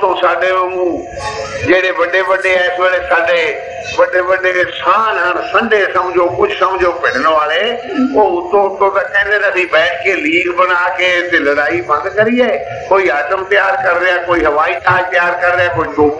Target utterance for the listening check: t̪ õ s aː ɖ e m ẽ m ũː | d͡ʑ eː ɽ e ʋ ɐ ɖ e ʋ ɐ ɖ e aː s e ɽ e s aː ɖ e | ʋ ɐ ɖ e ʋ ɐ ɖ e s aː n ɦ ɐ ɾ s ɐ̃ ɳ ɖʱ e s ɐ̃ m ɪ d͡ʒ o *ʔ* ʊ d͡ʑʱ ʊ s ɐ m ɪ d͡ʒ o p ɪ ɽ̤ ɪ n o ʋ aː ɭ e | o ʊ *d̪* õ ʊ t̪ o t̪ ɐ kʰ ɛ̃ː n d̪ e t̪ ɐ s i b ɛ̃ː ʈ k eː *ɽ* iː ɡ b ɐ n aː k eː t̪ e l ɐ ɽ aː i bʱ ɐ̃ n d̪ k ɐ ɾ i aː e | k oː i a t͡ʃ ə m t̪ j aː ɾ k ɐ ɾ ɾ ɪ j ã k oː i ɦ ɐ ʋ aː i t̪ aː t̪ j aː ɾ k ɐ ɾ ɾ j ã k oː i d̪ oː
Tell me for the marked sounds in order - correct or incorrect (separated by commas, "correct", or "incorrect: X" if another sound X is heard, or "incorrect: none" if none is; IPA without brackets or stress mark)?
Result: incorrect: k, incorrect: t̪, incorrect: l